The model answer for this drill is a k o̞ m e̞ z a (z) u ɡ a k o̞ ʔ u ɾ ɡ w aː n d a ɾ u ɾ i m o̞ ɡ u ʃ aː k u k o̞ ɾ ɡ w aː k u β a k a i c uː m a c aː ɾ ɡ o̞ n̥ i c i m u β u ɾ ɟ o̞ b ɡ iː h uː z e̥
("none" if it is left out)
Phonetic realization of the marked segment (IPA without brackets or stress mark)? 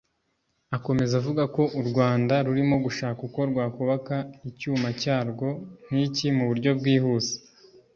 v